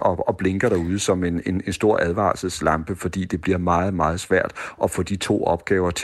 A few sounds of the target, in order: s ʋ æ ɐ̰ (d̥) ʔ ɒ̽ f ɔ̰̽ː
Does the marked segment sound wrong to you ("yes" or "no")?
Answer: no